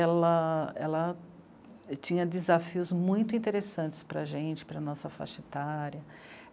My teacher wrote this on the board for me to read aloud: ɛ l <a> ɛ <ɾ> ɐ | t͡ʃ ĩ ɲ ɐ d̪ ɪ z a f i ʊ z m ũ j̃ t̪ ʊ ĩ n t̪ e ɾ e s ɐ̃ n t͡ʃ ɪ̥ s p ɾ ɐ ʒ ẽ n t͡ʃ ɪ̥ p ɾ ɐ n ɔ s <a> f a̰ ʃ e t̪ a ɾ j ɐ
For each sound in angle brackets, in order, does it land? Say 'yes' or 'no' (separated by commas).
no, no, no